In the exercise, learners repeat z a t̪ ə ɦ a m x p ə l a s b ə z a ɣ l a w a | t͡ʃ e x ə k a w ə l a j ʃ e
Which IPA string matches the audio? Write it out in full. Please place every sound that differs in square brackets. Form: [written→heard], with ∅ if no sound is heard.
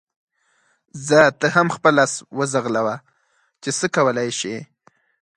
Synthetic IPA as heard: z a t̪ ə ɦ a m x p ə l a s [b→w] ə z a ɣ l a w a | t͡ʃ e [x→s] ə k a w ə l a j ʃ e